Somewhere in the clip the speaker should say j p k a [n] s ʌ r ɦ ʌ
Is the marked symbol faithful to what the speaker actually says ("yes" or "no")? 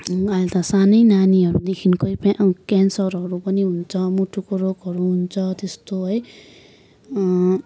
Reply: yes